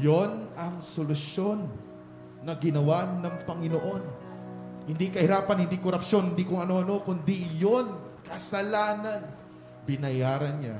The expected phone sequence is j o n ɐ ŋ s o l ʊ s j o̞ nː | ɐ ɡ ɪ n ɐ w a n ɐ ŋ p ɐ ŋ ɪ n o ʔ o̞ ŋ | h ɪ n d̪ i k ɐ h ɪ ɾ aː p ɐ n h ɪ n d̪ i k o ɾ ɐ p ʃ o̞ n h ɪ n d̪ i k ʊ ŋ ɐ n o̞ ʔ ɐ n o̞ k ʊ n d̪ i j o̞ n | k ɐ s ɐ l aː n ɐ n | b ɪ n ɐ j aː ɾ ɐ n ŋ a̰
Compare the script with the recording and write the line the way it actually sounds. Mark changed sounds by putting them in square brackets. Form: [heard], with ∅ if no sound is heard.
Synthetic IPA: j o n ɐ ŋ s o l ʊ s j o̞ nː | ɐ ɡ ɪ n ɐ w a n ɐ ŋ p ɐ ŋ ɪ n o ʔ o̞ [n] | h ɪ n d̪ i k ɐ h ɪ ɾ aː p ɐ n h ɪ n d̪ i k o ɾ ɐ p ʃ o̞ n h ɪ n d̪ i k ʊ ŋ ɐ n o̞ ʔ ɐ n o̞ k ʊ n d̪ i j o̞ n | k ɐ s ɐ l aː n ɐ n | b ɪ n ɐ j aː ɾ ɐ n [ɲ] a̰